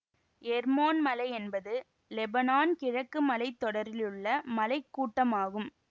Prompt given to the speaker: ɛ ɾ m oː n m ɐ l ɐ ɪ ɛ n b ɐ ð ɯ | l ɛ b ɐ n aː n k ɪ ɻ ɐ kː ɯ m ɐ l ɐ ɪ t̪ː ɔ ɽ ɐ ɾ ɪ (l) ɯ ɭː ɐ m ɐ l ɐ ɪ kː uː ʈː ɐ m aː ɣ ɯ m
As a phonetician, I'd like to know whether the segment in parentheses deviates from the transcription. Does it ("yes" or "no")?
no